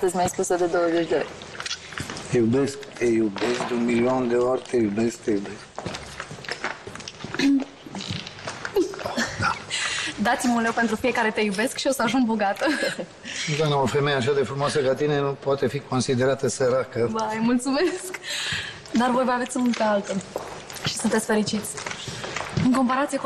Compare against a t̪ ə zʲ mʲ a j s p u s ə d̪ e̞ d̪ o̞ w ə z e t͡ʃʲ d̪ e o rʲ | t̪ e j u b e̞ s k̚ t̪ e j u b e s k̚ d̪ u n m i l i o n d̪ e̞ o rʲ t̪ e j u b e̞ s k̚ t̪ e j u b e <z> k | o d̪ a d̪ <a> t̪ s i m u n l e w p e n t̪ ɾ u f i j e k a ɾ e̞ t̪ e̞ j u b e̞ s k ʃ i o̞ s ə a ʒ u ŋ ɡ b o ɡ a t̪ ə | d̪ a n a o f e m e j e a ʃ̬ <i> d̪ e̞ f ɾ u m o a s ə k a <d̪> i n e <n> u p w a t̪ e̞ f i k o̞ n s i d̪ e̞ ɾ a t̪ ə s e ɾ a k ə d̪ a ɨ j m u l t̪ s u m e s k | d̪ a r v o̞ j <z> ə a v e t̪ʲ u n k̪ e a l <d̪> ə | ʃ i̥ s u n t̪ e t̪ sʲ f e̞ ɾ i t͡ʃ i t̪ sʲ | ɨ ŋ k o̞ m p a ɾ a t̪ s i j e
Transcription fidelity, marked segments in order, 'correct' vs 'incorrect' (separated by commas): incorrect, correct, incorrect, incorrect, correct, incorrect, incorrect